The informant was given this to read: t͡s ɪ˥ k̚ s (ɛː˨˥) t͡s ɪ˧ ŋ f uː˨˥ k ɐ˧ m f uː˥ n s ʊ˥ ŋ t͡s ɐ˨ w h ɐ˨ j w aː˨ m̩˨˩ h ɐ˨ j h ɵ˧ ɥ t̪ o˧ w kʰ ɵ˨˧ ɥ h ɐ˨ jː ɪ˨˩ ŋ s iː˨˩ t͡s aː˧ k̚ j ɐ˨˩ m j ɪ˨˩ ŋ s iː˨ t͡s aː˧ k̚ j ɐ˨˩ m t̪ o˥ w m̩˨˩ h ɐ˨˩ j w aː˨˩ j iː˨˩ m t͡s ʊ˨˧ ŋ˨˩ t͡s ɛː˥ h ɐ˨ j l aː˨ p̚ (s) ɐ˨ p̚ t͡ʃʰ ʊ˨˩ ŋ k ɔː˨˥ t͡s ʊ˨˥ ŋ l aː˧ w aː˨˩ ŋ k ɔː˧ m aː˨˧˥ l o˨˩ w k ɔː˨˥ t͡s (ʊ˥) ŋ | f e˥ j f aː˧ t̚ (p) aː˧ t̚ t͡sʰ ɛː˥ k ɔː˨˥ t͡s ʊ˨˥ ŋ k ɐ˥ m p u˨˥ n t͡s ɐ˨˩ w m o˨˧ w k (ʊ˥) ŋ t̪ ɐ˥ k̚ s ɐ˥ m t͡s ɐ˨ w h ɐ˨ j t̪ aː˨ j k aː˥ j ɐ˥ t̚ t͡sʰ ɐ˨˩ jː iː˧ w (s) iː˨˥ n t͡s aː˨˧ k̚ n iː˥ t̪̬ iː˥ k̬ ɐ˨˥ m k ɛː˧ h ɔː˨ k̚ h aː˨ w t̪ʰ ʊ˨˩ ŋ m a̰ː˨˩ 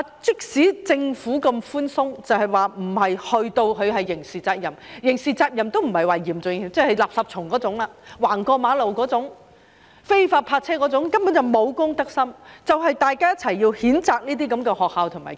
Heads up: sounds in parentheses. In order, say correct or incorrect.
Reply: incorrect: iː˨˥, correct, incorrect: ʊ˨˥, incorrect: pʰ, correct, incorrect: h

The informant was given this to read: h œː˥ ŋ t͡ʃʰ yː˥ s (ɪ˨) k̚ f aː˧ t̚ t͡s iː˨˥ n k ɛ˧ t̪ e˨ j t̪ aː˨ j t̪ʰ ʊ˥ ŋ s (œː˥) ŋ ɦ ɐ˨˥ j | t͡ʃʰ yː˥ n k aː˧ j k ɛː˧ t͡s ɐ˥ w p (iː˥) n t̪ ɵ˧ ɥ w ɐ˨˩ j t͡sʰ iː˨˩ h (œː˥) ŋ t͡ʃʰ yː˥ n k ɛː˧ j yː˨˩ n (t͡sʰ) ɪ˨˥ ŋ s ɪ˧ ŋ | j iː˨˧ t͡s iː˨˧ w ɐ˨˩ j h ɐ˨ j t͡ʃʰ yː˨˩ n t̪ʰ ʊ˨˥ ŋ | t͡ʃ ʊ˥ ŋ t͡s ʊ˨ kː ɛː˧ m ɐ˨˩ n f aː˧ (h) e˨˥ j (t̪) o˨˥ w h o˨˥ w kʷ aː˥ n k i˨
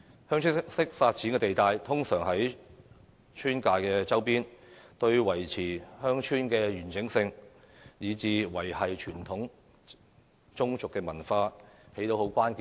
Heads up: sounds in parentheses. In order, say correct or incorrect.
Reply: incorrect: ɪ˥, incorrect: œː˨˩, correct, correct, incorrect: t͡s, correct, correct

